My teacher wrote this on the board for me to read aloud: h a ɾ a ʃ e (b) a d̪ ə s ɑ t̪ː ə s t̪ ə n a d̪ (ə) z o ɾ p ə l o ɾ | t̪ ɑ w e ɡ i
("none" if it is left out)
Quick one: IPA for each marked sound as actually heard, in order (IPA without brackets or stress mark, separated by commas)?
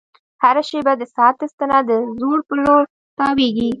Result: b, ə